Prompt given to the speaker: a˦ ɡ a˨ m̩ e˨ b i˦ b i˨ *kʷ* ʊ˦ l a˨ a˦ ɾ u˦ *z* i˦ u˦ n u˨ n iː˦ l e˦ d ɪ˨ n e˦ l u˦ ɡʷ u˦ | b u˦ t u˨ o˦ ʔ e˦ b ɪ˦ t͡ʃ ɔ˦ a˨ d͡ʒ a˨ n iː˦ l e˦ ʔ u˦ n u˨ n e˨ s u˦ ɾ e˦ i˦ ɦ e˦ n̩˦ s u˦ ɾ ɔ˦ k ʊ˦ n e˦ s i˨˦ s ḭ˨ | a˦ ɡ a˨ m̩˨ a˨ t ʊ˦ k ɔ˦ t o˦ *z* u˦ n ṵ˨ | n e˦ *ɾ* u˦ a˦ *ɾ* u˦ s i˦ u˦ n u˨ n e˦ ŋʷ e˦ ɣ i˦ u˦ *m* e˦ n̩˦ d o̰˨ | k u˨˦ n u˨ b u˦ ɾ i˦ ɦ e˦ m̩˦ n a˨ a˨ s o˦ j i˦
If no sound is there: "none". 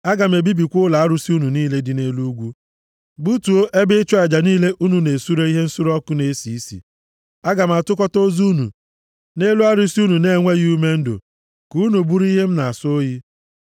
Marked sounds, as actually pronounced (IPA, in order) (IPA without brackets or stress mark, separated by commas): kʷ, s, z, l, ɾ, m